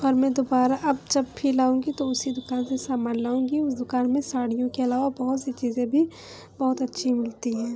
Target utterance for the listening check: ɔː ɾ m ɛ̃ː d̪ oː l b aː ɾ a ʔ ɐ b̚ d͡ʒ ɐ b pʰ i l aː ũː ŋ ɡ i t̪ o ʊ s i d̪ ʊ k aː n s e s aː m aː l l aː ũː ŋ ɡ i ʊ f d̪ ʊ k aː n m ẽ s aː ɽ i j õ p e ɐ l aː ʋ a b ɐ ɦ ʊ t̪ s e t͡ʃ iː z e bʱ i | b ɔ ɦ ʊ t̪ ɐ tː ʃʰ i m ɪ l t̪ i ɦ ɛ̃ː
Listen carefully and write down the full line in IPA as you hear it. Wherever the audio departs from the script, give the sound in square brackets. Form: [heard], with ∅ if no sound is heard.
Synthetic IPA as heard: ɔː ɾ m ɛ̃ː d̪ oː [∅] b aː ɾ a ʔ ɐ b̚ d͡ʒ ɐ b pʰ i l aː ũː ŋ ɡ i t̪ o ʊ s i d̪ ʊ k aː n s e s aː m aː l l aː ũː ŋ ɡ i ʊ [s] d̪ ʊ k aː n m ẽ s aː ɽ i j õ [k] e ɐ l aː ʋ a b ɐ ɦ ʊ t̪ s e t͡ʃ iː z [ẽ] bʱ i | b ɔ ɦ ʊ t̪ ɐ tː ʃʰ i m ɪ l t̪ i ɦ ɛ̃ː